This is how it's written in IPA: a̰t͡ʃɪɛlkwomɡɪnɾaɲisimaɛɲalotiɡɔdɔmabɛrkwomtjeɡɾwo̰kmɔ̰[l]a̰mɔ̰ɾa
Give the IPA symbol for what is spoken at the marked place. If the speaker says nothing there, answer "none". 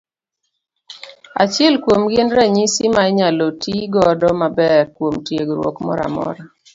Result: ɾ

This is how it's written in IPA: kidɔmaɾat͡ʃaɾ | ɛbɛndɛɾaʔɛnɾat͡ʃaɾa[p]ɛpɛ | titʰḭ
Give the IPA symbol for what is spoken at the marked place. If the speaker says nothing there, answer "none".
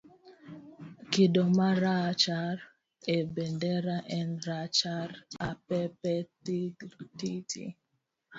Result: p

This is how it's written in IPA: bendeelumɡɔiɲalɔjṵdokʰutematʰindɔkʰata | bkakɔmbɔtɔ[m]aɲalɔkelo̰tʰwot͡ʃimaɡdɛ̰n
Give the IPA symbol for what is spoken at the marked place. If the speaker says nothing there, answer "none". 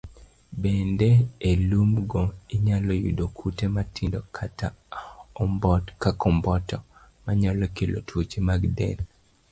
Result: m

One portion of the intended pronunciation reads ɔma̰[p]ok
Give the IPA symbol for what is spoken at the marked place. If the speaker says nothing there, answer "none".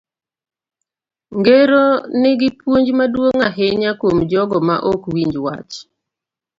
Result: ʔ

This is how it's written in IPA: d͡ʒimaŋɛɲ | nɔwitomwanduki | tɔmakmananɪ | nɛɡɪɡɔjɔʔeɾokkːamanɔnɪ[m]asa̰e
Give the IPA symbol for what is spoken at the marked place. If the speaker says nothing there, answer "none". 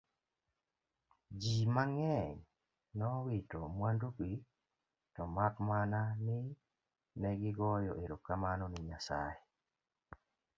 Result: ɲ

